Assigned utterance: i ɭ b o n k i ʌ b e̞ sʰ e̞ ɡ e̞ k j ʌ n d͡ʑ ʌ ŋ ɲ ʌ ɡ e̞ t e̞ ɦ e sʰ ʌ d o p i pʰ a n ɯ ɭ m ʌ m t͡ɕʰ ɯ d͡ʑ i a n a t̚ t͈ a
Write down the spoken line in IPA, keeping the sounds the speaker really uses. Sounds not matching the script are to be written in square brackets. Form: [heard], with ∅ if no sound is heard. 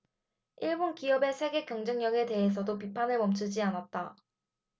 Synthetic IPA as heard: i ɭ b o n k i ʌ b e̞ sʰ e̞ ɡ e̞ k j ʌ [ŋ] d͡ʑ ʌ ŋ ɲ ʌ ɡ e̞ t e̞ ɦ e sʰ ʌ d o p i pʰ a n ɯ ɭ m ʌ m t͡ɕʰ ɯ d͡ʑ i a n a t̚ t͈ a